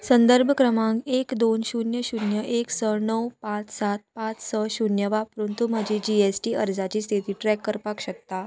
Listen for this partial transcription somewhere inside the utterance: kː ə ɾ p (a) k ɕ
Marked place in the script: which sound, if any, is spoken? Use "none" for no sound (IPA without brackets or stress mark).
a